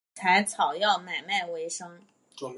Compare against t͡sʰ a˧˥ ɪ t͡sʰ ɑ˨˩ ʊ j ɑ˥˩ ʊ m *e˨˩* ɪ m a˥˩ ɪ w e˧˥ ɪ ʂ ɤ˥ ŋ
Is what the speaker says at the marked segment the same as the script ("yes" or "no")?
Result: no